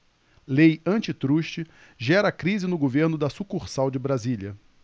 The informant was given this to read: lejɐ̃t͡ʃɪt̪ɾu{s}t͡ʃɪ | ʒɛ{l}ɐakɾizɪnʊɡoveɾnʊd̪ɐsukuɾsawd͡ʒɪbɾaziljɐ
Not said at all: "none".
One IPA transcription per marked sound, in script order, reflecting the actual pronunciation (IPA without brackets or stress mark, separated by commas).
ʃ, ɾ